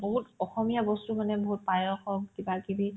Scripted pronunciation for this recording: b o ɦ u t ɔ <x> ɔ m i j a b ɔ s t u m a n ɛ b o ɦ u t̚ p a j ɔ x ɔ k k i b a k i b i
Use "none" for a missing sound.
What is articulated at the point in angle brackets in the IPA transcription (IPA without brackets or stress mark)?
x